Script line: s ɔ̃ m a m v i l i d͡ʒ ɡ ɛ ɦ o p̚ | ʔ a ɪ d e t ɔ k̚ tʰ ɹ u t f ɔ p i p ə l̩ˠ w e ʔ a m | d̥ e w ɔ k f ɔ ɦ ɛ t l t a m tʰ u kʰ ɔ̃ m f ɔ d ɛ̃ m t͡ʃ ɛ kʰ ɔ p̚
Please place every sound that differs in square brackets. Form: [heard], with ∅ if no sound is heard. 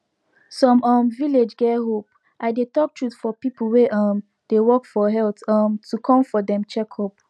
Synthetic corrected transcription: s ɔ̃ m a m v i l [e] d͡ʒ ɡ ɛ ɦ o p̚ | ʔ a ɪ d e t ɔ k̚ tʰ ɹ u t f ɔ p i p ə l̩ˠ w e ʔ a m | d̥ e w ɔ k f ɔ ɦ ɛ [∅] l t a m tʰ u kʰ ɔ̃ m f ɔ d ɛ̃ m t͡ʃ ɛ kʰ ɔ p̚